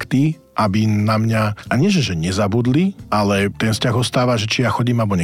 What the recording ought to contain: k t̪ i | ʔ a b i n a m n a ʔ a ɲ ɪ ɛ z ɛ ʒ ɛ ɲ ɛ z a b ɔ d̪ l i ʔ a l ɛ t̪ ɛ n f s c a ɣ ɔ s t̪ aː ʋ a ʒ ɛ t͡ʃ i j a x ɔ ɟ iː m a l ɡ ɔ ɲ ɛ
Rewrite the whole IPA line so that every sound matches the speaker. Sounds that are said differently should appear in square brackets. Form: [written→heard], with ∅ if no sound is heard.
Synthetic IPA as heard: k t̪ i | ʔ a b i n a m [n→ɲ] a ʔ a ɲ ɪ ɛ [z→ʒ] ɛ ʒ ɛ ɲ ɛ z a b [ɔ→u] d̪ l i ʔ a l ɛ t̪ ɛ n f s c a ɣ ɔ s t̪ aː ʋ a ʒ ɛ t͡ʃ i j a x ɔ ɟ iː m a l [ɡ→b] ɔ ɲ ɛ